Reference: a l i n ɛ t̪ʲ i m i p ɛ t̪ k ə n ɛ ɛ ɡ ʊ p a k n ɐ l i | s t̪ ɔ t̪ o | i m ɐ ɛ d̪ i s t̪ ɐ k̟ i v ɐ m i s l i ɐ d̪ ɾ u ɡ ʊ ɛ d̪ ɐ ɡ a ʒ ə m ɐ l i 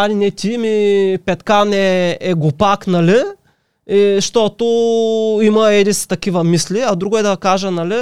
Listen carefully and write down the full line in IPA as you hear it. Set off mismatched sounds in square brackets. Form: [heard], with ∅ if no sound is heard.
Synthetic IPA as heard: a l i n ɛ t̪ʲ i m i p ɛ t̪ k [a] n ɛ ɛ ɡ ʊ p a k n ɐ l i | [ʃ] t̪ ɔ t̪ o | i m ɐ ɛ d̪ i s t̪ ɐ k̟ i v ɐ m i s l i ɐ d̪ ɾ u ɡ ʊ ɛ d̪ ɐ [k] a ʒ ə [n] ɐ l i